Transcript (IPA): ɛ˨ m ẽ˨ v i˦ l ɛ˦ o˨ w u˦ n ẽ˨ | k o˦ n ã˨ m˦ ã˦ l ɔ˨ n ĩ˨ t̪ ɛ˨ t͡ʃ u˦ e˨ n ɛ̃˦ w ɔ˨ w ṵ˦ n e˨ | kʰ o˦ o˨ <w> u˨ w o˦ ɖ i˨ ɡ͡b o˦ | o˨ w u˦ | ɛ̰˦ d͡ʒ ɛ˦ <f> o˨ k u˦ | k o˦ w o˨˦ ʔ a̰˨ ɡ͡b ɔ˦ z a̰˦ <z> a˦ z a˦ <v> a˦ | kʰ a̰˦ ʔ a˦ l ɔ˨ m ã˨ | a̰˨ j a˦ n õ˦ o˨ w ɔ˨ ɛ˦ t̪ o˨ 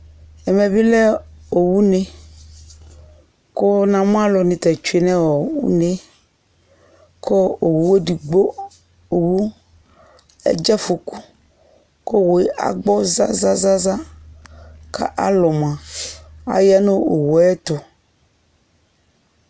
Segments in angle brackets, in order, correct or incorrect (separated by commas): correct, correct, correct, incorrect